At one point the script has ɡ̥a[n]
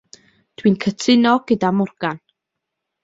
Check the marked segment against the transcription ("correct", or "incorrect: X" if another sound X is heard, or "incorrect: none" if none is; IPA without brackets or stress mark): correct